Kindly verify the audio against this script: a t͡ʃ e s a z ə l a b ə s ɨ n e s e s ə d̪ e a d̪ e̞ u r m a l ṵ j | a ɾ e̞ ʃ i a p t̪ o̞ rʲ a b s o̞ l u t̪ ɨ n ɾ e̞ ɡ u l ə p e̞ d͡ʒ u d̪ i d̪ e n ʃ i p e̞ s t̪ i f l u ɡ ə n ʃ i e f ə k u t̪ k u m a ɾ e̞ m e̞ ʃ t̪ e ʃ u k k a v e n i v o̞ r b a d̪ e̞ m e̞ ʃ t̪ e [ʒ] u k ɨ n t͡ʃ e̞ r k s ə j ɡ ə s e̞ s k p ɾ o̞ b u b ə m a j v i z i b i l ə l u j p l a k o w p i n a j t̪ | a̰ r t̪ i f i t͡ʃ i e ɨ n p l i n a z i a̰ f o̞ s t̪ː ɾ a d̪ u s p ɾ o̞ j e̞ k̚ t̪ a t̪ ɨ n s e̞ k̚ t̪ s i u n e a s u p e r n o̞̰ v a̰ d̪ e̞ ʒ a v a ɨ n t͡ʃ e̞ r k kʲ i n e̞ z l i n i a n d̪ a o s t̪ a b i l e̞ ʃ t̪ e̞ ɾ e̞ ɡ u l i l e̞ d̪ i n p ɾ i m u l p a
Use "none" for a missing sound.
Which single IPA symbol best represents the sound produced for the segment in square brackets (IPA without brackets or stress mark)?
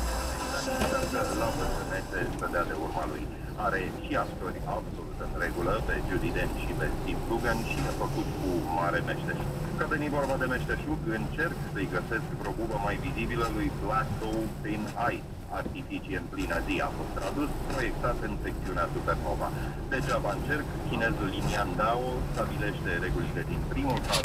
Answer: ʃ